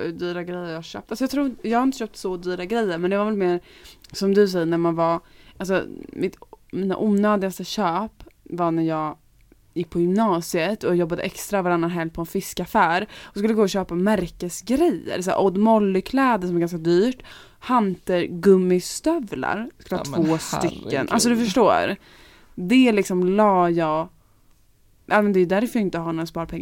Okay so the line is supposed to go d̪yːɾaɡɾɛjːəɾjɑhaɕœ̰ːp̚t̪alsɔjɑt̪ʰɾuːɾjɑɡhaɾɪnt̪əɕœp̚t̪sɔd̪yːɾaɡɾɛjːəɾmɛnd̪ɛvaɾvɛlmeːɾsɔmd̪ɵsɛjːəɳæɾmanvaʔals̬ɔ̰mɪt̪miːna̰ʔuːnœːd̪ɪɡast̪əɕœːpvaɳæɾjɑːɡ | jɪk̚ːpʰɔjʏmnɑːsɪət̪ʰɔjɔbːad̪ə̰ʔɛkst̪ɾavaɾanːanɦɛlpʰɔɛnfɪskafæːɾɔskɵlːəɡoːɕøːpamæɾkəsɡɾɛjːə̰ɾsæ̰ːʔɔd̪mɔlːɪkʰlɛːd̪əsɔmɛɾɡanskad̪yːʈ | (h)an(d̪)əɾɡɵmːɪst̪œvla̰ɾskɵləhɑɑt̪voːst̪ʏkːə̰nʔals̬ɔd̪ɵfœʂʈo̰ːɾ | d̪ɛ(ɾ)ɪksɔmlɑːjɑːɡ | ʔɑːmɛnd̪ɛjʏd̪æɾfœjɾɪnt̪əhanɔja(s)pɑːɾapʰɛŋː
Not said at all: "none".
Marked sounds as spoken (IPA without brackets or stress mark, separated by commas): h, t̪, l, s